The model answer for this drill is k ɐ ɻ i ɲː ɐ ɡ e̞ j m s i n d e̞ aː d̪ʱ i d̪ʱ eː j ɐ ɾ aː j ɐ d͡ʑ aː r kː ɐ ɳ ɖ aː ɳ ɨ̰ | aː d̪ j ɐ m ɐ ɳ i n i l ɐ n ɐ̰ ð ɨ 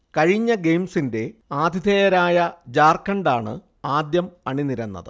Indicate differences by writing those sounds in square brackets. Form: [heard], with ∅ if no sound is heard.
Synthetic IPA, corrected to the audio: k ɐ ɻ i ɲː ɐ ɡ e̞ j m s i n d e̞ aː d̪ʱ i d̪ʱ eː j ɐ ɾ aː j ɐ d͡ʑ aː r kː ɐ ɳ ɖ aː ɳ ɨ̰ | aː d̪ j ɐ m ɐ ɳ i n i [ɾ] ɐ [nː] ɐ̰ ð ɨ

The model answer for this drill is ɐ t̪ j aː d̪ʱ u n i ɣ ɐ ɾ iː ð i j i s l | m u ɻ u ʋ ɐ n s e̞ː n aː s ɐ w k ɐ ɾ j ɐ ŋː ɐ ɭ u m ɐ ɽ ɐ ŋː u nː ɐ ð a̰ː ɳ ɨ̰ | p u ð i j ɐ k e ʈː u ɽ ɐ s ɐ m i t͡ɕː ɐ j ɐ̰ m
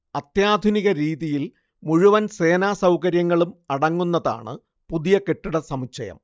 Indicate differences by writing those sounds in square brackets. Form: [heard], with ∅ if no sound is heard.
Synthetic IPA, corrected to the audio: ɐ t̪ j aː d̪ʱ u n i ɣ ɐ ɾ iː ð i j i [∅] l | m u ɻ u ʋ ɐ n s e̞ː n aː s ɐ w k ɐ ɾ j ɐ ŋː ɐ ɭ u m ɐ ɽ ɐ ŋː u nː ɐ ð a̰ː ɳ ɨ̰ | p u ð i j ɐ k e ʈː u ɽ ɐ s ɐ m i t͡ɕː ɐ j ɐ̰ m

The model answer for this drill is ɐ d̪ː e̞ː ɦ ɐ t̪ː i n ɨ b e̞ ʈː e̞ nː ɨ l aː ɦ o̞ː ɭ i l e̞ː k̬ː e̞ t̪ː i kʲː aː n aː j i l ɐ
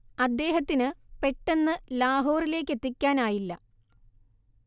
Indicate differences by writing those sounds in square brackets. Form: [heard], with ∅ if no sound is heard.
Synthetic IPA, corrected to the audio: ɐ d̪ː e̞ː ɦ ɐ t̪ː i n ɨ [p] e̞ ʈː e̞ nː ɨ l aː ɦ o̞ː [r] i l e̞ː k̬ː e̞ t̪ː i kʲː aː n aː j i [lː] ɐ

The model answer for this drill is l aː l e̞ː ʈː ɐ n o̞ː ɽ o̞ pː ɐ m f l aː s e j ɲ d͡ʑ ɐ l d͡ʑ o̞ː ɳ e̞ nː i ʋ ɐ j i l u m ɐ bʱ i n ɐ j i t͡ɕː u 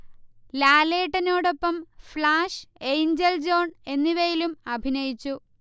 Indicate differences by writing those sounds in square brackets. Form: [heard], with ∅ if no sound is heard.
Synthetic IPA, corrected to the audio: l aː l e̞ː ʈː ɐ n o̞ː ɽ o̞ pː ɐ m f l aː [ʂ] e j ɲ d͡ʑ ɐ l d͡ʑ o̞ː ɳ e̞ nː i ʋ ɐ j i l u m ɐ bʱ i n ɐ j i t͡ɕː u

